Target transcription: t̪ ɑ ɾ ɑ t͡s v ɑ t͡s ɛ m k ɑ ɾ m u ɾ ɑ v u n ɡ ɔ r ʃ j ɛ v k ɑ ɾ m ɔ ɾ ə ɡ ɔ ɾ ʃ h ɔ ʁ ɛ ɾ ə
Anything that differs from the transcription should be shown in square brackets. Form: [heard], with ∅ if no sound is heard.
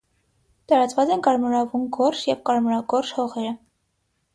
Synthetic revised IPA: t̪ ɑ ɾ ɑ t͡s v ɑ t͡s ɛ [n] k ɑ ɾ m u ɾ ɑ v u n ɡ ɔ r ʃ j ɛ v k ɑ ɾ m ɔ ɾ [ɑ] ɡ ɔ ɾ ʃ h ɔ ʁ ɛ ɾ ə